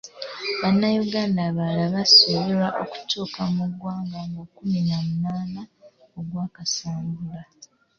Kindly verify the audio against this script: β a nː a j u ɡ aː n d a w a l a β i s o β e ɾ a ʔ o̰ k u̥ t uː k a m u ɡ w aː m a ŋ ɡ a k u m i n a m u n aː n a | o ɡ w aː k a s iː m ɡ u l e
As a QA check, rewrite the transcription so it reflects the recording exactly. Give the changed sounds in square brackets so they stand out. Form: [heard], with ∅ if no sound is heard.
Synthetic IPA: β a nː a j u ɡ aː n d a [β] a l a β [a] s o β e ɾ a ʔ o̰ k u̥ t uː k a m u ɡ w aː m a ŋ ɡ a k u m i n a m u n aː n a | o ɡ w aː k a s [aː] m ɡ u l [a]